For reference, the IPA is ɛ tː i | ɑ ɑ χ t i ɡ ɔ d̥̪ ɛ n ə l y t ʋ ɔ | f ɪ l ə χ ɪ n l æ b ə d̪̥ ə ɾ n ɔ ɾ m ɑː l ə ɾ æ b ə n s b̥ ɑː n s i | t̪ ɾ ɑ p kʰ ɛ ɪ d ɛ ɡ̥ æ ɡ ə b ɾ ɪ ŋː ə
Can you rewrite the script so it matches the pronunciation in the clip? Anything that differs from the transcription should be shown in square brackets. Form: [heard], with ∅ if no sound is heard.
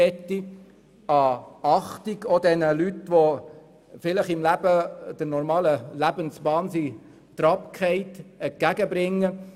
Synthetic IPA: ɛ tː i | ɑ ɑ χ t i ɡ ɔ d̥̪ ɛ n ə l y t ʋ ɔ | f ɪ l ə χ ɪ [m] l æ b ə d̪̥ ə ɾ n ɔ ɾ m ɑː l ə [l] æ b ə n s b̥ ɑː n s i | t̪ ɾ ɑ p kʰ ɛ ɪ [t] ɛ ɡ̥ æ ɡ ə b ɾ ɪ ŋː ə